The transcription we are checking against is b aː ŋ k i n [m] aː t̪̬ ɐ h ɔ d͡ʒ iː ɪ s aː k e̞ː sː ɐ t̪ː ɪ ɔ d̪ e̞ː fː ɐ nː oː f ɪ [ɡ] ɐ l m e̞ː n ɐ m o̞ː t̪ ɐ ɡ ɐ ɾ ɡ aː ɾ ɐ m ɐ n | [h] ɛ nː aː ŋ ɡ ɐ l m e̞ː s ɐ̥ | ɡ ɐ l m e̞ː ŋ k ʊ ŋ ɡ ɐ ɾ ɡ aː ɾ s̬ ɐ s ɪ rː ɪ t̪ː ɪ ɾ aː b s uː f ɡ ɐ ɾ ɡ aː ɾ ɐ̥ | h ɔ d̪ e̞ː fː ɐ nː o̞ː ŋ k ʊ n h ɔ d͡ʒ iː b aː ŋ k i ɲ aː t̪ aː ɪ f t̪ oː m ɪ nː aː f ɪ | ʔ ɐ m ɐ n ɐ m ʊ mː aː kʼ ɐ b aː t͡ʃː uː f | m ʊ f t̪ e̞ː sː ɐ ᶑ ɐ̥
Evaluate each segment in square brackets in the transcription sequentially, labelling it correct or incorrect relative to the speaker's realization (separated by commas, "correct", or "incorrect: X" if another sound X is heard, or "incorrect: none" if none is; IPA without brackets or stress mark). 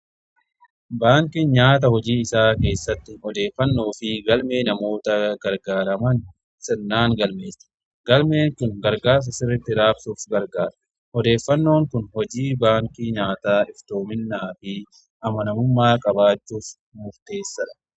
incorrect: ɲ, correct, incorrect: s